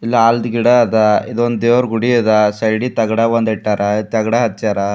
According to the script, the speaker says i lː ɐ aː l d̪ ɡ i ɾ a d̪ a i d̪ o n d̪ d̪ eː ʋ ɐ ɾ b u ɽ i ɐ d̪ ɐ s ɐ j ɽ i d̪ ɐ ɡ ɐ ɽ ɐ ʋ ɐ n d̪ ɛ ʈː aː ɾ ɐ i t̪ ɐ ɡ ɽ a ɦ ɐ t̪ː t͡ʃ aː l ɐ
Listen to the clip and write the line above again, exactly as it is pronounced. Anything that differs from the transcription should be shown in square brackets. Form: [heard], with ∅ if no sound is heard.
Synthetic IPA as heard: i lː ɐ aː l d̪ ɡ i [ɽ] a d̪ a i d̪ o n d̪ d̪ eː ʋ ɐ ɾ [ɡ] u ɽ i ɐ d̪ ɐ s ɐ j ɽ i [t̪] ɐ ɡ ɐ ɽ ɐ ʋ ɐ n d̪ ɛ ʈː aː ɾ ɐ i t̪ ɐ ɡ ɽ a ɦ ɐ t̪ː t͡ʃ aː [ɾ] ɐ